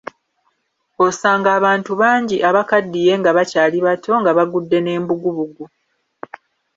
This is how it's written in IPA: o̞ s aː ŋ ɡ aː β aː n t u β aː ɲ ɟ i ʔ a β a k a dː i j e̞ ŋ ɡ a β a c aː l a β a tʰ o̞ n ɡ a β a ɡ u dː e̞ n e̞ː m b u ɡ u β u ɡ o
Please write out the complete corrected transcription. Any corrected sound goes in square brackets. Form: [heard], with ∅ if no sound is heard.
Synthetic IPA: o̞ s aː ŋ ɡ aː β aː n t u β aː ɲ ɟ i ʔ a β a k a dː i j e̞ ŋ ɡ a β a c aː l [i] β a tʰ o̞ [ŋ] ɡ a β a ɡ u dː e̞ n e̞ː m b u ɡ u β u ɡ [u]